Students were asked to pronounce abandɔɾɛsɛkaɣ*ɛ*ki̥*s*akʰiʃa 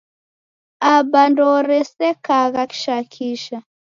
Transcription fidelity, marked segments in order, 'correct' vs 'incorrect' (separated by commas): incorrect, incorrect